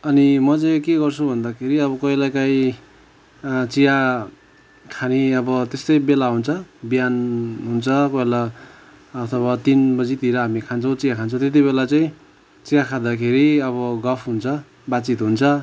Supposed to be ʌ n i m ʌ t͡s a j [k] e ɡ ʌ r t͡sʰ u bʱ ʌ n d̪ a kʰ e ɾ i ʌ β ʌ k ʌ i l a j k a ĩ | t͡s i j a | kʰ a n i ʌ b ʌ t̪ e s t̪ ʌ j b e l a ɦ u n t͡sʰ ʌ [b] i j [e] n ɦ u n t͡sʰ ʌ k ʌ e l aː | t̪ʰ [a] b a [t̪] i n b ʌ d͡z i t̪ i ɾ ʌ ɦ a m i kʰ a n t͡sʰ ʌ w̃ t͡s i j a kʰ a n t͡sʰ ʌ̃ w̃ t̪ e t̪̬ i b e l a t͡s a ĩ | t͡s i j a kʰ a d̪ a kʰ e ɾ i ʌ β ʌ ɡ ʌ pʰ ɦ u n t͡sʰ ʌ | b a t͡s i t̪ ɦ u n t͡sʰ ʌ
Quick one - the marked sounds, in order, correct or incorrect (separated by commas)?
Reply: correct, correct, incorrect, incorrect, correct